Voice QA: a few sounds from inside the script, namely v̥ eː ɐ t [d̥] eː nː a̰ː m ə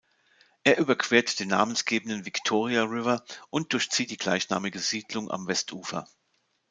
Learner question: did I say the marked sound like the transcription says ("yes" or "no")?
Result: yes